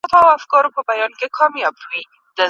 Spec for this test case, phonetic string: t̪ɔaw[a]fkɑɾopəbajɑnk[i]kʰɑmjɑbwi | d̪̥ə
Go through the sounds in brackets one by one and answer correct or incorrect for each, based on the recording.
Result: correct, incorrect

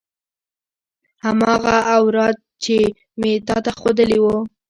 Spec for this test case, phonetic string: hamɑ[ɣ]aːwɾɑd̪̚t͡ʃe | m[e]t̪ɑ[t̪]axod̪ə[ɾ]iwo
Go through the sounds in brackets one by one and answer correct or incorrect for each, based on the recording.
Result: correct, correct, correct, incorrect

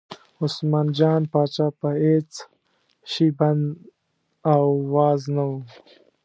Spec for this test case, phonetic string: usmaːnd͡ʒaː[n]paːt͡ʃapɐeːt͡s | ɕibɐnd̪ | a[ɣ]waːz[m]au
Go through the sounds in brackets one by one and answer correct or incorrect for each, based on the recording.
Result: correct, incorrect, incorrect

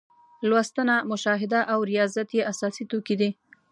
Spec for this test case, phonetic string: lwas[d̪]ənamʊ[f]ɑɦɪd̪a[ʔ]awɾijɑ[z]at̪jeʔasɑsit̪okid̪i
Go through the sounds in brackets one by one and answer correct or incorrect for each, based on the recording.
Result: incorrect, incorrect, correct, correct

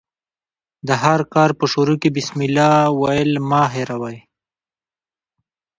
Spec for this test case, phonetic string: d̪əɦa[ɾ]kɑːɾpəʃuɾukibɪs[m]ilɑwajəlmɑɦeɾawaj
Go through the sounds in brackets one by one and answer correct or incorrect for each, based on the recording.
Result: correct, correct

